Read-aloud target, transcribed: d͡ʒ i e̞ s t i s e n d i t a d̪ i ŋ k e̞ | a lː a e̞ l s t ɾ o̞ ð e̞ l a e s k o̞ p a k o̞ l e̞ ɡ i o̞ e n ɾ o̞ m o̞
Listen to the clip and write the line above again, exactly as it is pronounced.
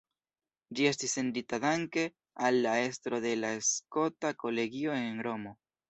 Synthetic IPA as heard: d͡ʒ i e̞ s t i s e n d i t a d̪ a ŋ k e̞ | a lː a e̞ s t ɾ o̞ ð e̞ l a e s k o̞ t a k o̞ l e̞ ɡ i o̞ e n ɾ o̞ m o̞

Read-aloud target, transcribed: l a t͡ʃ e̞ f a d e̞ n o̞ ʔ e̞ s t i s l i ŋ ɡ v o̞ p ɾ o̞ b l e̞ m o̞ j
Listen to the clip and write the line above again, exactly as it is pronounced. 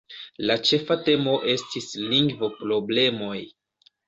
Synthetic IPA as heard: l a t͡ʃ e̞ f a t e̞ m o̞ ʔ e̞ s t i s l i ŋ ɡ v o̞ p ɾ o̞ b l e̞ m o̞ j

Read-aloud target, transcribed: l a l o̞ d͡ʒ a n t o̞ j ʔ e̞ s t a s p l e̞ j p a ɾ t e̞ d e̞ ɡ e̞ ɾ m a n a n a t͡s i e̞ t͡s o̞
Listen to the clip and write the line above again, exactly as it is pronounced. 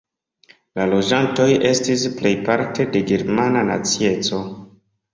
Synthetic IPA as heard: l a l o̞ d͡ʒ a n t o̞ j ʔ e̞ s t i s p l e̞ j p a ɾ t e̞ d e̞ ɡ e̞ ɾ m a n a n a t͡s i e̞ t͡s o̞

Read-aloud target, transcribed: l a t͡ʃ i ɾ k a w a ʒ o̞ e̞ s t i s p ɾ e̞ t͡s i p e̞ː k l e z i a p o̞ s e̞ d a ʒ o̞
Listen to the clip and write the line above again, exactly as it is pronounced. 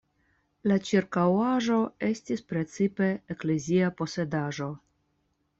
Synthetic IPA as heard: l a t͡ʃ i ɾ k a w a ʒ o̞ e̞ s t i s p ɾ e̞ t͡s i p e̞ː k l e z i a p o̞ s e̞ d a ʒ o̞

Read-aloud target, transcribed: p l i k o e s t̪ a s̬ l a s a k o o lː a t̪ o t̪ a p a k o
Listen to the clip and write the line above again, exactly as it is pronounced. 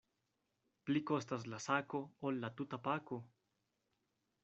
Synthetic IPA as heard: p l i k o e s t̪ a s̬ l a s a k o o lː a t̪ u t̪ a p a k o

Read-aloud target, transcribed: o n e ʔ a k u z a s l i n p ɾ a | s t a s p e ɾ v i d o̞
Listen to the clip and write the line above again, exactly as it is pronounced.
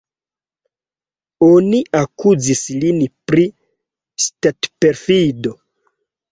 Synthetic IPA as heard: o n i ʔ a k u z i s l i n p ɾ i | s t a t p e ɾ f i d o̞

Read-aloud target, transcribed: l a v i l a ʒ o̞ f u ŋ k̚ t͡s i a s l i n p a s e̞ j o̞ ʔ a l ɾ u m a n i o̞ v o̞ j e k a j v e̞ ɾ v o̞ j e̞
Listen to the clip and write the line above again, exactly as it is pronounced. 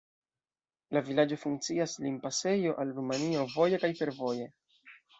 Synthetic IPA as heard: l a v i l a d͡ʒ o̞ f u ŋ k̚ t͡s i a s l i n p a s e̞ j o̞ ʔ a l ɾ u m a n i o̞ v o̞ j e k a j f e̞ ɾ v o̞ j e̞

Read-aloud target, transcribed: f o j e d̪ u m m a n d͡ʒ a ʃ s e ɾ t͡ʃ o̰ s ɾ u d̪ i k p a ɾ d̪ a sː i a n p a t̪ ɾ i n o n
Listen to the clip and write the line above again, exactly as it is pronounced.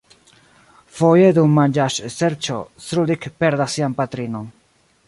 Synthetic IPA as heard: f o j e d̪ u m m a n d͡ʒ a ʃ s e ɾ t͡ʃ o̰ s ɾ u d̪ i k p e ɾ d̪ a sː i a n p a t̪ ɾ i n o n

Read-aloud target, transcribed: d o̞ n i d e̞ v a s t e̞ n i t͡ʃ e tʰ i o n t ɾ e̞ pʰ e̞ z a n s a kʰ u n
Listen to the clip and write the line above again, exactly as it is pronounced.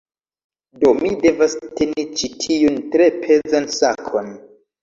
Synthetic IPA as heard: d o̞ m i d e̞ v a s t e̞ n i t͡ʃ i tʰ i u n t ɾ e̞ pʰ e̞ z a n s a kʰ o n

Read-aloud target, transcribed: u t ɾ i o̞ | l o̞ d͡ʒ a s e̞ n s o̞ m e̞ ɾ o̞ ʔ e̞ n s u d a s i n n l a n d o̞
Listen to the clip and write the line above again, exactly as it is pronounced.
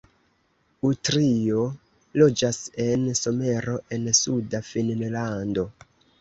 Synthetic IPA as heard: u t ɾ i o̞ | l o̞ d͡ʒ a s e̞ n s o̞ m e̞ ɾ o̞ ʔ e̞ n s u d a f i n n l a n d o̞

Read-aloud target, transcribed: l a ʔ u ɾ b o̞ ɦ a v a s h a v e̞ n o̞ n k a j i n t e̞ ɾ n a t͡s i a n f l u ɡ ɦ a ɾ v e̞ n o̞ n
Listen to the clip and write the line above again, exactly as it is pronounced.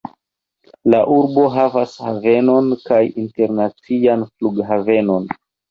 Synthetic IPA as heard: l a ʔ u ɾ b o̞ ɦ a v a s h a v e̞ n o̞ n k a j i n t e̞ ɾ n a t͡s i a n f l u ɡ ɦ a v e̞ n o̞ n

